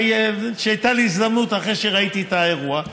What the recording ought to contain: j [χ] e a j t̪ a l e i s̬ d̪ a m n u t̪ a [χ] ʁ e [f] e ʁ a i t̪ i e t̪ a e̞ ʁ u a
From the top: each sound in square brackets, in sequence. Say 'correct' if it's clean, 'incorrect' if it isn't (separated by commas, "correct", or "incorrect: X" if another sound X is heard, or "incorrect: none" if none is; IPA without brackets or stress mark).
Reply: incorrect: ʃ, correct, incorrect: ʃ